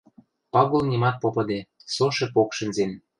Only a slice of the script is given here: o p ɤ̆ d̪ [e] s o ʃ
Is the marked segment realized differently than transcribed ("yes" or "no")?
no